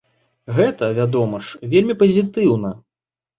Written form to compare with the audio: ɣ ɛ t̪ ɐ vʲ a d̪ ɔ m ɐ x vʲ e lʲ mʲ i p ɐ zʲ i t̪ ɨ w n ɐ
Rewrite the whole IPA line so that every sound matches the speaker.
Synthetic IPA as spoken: ɣ ɛ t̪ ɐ vʲ a d̪ ɔ m ɐ ʂ vʲ e lʲ mʲ i p ɐ zʲ i t̪ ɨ w n ɐ